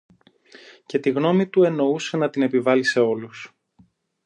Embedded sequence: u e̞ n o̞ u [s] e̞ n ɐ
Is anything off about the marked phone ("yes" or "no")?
no